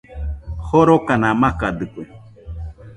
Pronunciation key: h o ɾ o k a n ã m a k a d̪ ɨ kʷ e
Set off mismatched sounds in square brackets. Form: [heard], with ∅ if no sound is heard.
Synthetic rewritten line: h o ɾ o k a n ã m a k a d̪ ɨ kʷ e

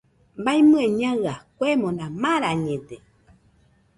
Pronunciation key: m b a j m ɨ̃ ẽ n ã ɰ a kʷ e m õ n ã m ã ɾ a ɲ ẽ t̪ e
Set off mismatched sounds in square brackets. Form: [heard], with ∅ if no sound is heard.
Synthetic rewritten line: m b a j m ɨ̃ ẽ [ɲ] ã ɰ a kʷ e m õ n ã m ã ɾ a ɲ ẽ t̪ e

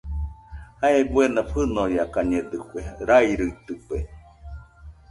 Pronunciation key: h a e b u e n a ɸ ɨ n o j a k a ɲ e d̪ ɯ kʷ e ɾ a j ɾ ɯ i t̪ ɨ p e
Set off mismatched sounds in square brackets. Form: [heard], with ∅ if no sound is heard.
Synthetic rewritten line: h a e b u e n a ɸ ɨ n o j a k a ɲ e d̪ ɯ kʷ e ɾ a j ɾ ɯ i t̪ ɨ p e

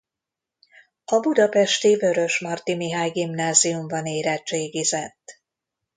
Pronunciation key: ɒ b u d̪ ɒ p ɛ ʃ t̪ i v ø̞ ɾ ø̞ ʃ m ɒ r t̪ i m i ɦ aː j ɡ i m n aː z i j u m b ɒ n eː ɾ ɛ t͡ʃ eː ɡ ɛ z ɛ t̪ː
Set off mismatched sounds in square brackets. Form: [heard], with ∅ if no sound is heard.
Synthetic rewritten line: ɒ b u d̪ ɒ p ɛ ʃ t̪ i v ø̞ ɾ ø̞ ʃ m ɒ r t̪ i m i ɦ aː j ɡ i m n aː z i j u m b ɒ n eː ɾ ɛ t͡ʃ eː ɡ [i] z ɛ t̪ː

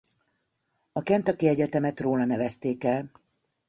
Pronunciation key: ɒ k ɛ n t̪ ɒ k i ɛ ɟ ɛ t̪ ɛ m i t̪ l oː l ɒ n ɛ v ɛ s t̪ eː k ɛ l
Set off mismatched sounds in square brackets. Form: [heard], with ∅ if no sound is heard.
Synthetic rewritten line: ɒ k ɛ n t̪ ɒ k i ɛ ɟ ɛ t̪ ɛ m [ɛ] t̪ [r] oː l ɒ n ɛ v ɛ s t̪ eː k ɛ l

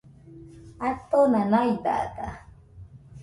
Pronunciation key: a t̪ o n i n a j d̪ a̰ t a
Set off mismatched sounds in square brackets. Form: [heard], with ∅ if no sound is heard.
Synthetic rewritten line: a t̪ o n [a] n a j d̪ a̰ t a

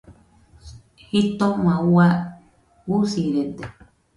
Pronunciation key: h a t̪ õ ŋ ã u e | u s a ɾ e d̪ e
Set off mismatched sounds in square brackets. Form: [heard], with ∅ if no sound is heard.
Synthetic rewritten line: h [i] t̪ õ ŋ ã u [a] | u s [i] ɾ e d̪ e

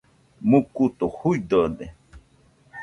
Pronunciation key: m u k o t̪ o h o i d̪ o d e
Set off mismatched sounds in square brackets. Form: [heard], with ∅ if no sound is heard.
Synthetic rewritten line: m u k [u] t̪ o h [u] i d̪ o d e

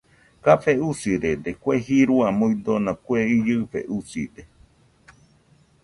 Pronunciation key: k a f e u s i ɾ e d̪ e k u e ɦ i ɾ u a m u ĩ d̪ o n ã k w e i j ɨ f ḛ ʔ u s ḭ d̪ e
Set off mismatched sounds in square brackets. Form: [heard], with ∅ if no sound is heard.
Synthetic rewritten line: k a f e u s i ɾ e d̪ e k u e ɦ i ɾ u a m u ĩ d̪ o n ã k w e i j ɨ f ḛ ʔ u s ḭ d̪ e

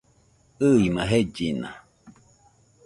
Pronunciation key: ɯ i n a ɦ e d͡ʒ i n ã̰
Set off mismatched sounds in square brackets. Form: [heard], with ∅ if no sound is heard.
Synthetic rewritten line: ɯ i [m] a ɦ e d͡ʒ i n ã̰

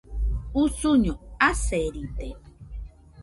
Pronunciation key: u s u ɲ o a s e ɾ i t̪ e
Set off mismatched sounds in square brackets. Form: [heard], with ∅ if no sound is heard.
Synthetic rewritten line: u s u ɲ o a s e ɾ i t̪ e

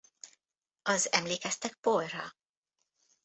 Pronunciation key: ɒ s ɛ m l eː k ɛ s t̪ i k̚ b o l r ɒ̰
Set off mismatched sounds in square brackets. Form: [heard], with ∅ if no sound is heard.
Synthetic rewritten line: ɒ [z] ɛ m l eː k ɛ s t̪ [ɛ] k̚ [p] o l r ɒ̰

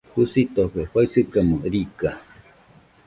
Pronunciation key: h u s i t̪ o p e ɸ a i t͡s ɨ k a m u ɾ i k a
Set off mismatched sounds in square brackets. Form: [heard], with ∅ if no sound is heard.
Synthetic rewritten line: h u s i t̪ o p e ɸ a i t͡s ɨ k a m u ɾ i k a

